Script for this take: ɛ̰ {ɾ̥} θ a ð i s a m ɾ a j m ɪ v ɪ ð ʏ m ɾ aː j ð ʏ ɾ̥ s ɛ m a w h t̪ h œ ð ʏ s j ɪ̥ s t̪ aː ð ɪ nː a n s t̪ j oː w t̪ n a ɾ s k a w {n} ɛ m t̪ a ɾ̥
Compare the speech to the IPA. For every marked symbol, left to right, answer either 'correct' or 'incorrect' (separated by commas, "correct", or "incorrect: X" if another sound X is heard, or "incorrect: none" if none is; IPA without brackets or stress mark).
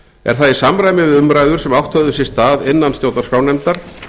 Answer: correct, correct